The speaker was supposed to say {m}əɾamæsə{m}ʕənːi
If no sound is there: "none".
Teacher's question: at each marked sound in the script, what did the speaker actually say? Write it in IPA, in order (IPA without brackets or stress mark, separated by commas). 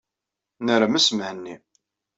n, m